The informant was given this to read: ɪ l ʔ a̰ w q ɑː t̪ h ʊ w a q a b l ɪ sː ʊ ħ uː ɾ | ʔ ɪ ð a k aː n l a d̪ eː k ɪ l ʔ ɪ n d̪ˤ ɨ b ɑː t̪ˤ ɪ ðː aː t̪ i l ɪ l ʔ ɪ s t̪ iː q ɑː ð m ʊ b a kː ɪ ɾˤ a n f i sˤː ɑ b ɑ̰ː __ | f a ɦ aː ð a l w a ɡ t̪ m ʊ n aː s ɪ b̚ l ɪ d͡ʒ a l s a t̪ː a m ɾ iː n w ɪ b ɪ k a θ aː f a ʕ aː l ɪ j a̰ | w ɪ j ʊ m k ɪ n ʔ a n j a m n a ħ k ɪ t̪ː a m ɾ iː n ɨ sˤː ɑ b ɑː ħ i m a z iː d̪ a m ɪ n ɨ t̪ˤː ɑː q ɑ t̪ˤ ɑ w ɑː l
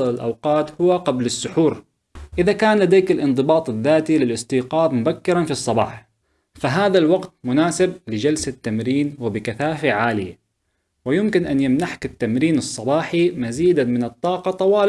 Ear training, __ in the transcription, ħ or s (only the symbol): ħ